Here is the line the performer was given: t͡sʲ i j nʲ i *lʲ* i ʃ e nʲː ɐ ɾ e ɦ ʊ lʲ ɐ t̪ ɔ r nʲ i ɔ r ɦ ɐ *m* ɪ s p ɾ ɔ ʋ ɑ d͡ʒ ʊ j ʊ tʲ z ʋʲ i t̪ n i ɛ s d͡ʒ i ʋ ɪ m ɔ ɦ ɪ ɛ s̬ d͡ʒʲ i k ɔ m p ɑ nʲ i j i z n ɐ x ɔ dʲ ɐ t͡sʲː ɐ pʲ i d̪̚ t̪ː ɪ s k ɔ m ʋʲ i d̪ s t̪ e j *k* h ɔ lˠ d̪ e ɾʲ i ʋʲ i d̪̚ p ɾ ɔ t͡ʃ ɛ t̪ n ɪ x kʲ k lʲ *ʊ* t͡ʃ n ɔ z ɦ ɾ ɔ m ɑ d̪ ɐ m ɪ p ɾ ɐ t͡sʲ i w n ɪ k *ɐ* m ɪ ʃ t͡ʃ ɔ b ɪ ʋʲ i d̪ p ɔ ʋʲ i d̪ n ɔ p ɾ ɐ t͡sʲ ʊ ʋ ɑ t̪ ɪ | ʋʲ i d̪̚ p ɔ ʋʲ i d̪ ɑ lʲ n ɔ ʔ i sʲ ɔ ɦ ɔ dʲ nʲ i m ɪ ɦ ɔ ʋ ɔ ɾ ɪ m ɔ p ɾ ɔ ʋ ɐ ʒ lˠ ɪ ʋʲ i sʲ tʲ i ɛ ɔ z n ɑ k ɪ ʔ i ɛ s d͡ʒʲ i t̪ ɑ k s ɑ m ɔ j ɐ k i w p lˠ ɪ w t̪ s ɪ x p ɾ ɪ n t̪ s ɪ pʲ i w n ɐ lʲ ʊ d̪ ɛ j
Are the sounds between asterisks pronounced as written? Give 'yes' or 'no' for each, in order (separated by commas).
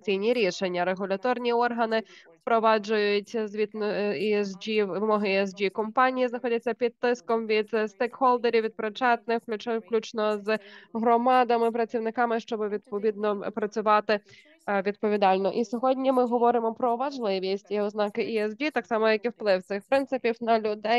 no, no, yes, no, no